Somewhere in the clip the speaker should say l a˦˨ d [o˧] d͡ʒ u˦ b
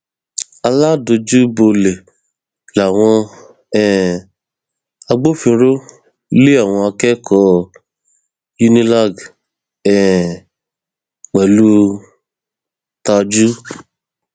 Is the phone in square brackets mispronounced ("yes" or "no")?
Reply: no